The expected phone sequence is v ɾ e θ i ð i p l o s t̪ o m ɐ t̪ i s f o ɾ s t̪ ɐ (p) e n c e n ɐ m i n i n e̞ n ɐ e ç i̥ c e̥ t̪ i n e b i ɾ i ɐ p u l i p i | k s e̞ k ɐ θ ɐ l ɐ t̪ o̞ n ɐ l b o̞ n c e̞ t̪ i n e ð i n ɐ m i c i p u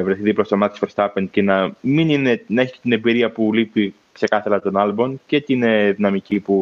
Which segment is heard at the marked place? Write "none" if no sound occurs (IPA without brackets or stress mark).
p